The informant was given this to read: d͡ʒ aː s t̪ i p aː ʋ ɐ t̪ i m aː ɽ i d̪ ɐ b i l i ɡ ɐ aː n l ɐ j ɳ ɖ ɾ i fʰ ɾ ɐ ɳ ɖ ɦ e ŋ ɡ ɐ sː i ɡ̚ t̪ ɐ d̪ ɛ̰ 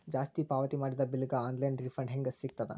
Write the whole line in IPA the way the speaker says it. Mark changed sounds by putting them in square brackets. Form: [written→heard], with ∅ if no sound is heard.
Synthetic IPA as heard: d͡ʒ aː s t̪ i p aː ʋ ɐ t̪ i m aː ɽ i d̪ ɐ b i l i ɡ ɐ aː n l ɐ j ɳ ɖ ɾ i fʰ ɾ ɐ ɳ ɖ ɦ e ŋ ɡ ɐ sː i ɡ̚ t̪ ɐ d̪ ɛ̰